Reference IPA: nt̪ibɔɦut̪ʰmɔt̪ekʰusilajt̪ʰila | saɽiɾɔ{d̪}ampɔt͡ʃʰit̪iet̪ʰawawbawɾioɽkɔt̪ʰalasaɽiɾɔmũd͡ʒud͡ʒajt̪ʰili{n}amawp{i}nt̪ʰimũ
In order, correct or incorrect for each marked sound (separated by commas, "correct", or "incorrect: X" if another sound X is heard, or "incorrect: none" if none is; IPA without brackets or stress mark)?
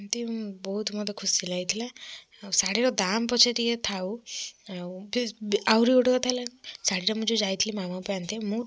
correct, incorrect: m, incorrect: a